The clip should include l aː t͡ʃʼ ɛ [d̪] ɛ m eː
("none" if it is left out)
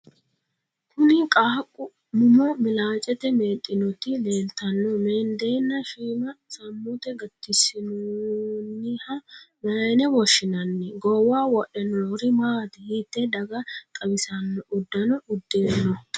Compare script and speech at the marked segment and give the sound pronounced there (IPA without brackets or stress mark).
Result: t̪